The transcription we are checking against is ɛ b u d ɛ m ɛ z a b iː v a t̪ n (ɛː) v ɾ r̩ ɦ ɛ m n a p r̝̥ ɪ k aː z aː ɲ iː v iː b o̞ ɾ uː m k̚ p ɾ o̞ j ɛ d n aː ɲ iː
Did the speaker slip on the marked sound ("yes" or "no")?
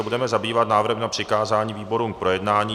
yes